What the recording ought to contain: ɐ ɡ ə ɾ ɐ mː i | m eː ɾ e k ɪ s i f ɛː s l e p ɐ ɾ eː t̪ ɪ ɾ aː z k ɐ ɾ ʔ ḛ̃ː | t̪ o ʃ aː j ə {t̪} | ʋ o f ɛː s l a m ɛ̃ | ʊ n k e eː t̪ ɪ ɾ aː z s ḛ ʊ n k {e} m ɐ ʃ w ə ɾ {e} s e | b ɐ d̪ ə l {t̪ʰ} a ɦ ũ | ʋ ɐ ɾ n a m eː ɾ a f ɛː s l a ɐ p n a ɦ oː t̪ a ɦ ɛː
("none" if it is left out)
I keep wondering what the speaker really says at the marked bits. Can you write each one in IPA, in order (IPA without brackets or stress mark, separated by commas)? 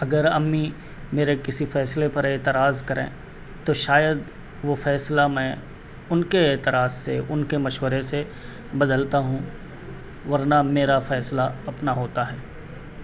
d̪, e, e, t̪